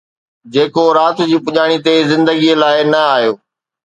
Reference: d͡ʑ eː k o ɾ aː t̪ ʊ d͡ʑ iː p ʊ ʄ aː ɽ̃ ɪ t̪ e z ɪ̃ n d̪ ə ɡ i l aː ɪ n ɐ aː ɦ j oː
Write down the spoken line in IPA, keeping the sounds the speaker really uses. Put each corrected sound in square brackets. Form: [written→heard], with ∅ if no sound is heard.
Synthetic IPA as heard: d͡ʑ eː k o ɾ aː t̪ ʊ d͡ʑ iː p ʊ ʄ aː ɽ̃ [ɪ→i] t̪ e z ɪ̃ n d̪ ə ɡ i l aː ɪ n ɐ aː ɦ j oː